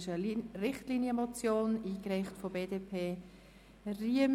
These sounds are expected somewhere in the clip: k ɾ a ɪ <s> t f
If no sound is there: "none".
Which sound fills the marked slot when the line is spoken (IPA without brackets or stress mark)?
χ